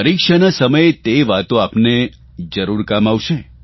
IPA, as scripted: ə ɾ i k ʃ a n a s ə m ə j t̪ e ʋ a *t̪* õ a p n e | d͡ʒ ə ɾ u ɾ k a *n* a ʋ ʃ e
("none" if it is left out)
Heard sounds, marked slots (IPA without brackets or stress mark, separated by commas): t̪, m